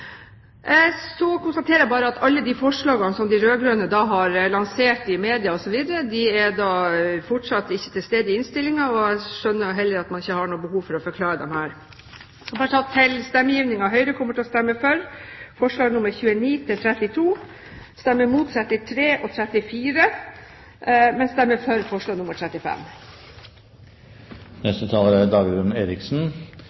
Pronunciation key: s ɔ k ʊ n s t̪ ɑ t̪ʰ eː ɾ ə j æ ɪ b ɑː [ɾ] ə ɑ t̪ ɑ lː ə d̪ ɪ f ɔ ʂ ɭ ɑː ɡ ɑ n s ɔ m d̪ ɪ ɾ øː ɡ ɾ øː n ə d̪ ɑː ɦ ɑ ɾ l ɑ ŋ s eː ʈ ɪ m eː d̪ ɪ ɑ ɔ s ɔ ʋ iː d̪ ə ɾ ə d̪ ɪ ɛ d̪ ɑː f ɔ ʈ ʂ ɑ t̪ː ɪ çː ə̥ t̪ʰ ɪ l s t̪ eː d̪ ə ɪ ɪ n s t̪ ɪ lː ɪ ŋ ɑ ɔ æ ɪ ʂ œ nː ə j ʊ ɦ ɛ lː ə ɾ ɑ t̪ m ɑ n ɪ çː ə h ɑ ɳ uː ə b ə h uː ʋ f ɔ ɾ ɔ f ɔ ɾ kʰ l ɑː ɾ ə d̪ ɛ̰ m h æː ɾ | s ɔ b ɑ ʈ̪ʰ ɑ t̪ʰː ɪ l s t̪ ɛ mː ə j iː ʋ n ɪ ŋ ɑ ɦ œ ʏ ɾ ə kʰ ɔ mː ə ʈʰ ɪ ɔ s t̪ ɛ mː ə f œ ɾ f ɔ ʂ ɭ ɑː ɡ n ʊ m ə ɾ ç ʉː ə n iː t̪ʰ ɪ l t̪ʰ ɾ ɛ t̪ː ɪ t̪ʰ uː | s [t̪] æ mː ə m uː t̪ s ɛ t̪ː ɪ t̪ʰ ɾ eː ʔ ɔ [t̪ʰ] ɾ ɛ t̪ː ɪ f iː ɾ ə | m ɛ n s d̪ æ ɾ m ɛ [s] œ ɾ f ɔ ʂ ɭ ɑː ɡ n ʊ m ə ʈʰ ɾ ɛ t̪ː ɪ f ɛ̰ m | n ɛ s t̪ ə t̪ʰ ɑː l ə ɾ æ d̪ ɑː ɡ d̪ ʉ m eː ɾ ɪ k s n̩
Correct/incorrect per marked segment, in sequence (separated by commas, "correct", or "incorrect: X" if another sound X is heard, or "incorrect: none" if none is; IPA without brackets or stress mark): correct, correct, correct, incorrect: f